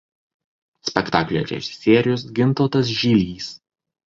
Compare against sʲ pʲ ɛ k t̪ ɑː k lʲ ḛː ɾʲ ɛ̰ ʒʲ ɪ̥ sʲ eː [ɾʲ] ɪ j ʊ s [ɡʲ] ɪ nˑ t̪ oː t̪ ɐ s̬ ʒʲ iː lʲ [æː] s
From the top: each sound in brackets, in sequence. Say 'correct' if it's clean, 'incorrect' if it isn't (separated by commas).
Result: correct, correct, incorrect